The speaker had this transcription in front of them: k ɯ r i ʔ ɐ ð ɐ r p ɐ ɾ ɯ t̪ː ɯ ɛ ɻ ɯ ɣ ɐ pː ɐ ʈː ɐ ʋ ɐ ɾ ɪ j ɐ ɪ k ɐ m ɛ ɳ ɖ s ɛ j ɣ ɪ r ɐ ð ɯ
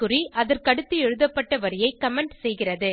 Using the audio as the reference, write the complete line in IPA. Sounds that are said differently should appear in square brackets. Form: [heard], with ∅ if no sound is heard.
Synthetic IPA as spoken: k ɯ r i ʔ ɐ ð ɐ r [k] ɐ [ɽ] ɯ t̪ː ɯ ɛ ɻ ɯ [ð] ɐ pː ɐ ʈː ɐ ʋ ɐ ɾ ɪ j ɐ ɪ k ɐ m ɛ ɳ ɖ s ɛ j ɣ ɪ r ɐ ð ɯ